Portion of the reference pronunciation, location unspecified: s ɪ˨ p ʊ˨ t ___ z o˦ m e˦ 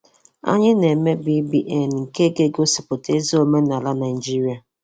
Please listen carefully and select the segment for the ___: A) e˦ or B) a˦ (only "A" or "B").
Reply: A